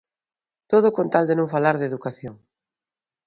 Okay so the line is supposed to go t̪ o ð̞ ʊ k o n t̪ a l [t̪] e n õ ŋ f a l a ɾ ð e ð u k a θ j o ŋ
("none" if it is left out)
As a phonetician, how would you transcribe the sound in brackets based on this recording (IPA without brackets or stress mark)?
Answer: d̪